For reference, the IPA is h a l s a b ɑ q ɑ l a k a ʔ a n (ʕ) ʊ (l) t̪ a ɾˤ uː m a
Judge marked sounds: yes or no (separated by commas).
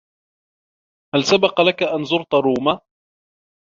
no, no